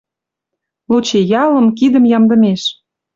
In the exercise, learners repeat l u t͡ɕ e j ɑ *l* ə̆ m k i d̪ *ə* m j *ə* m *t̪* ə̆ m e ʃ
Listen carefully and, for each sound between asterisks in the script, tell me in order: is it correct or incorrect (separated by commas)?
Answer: correct, correct, incorrect, incorrect